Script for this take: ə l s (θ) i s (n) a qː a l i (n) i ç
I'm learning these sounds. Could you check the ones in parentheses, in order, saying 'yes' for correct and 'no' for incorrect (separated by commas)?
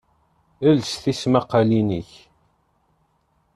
yes, no, yes